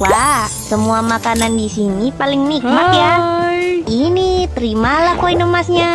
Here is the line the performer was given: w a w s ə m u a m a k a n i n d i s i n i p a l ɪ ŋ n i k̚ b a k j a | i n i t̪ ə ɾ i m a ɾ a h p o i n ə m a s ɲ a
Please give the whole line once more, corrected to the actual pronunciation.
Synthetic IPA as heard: w a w s ə m u a m a k a n a n d i s i n i p a l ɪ ŋ n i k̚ m a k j a | i n i t̪ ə ɾ i m a l a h k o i n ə m a s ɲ a